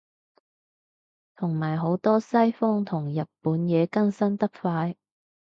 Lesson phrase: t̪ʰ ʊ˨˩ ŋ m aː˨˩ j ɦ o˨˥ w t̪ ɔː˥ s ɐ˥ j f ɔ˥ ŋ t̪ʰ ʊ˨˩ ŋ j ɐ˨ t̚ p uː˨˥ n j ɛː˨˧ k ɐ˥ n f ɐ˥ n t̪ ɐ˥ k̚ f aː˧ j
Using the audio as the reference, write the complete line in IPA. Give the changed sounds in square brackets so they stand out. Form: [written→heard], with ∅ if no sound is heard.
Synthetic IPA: t̪ʰ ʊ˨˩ ŋ m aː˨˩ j ɦ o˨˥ w t̪ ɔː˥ s ɐ˥ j f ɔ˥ ŋ t̪ʰ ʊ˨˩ ŋ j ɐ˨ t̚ p uː˨˥ n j ɛː˨˧ k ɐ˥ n [f→s] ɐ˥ n t̪ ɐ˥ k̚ f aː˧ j

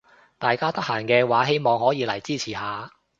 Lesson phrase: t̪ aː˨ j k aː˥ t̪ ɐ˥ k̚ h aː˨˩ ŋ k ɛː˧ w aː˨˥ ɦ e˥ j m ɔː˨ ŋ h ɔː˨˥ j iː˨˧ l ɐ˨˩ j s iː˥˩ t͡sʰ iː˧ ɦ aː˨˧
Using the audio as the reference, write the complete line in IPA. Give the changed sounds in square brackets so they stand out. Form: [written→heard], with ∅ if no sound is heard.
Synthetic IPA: t̪ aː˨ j k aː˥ t̪ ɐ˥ k̚ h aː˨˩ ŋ k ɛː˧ w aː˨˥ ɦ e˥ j m ɔː˨ ŋ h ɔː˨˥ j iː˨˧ l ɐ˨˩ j [s→t͡s] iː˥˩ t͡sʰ [iː˧→iː˨˩] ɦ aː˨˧

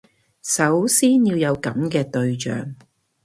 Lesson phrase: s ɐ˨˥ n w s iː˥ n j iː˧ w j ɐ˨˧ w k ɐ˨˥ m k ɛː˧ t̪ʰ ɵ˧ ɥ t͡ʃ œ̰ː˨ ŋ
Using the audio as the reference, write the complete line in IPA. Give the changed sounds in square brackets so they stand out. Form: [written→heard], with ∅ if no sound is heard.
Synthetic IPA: s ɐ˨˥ [n→∅] w s iː˥ n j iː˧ w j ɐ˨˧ w k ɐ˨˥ m k ɛː˧ [t̪ʰ→t̪] ɵ˧ ɥ t͡ʃ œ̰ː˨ ŋ

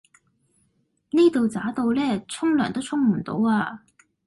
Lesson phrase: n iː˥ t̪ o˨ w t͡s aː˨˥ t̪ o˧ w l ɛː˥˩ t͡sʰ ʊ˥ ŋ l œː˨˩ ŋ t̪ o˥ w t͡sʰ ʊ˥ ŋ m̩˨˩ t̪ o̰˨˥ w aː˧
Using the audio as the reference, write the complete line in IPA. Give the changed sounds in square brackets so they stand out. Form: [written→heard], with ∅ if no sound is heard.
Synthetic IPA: n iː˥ t̪ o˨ w t͡s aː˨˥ t̪ o˧ w l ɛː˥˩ t͡sʰ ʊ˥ ŋ l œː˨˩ ŋ t̪ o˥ w t͡sʰ ʊ˥ ŋ m̩˨˩ t̪ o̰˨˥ w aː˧

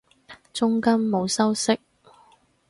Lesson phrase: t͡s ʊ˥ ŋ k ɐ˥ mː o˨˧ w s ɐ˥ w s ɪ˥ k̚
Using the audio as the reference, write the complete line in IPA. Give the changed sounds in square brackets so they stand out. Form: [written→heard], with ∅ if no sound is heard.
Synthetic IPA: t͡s ʊ˥ ŋ k ɐ˥ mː o˨˧ w s ɐ˥ w s ɪ˥ k̚

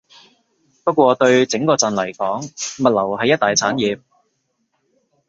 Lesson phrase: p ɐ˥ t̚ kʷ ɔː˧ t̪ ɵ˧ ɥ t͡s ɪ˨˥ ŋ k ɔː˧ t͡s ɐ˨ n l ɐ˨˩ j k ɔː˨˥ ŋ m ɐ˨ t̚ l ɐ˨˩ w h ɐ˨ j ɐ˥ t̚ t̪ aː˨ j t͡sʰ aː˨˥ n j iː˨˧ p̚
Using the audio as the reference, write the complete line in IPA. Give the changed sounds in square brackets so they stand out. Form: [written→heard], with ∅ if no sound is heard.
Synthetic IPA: p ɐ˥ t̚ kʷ ɔː˧ t̪ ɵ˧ ɥ t͡s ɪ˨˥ ŋ k ɔː˧ t͡s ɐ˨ n l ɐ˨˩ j k ɔː˨˥ ŋ m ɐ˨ t̚ l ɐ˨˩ w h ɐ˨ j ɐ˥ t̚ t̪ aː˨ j t͡sʰ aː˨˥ n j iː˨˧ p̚

